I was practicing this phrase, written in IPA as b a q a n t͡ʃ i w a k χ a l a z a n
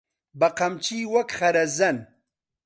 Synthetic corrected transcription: b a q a m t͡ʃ i w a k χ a ɾ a z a n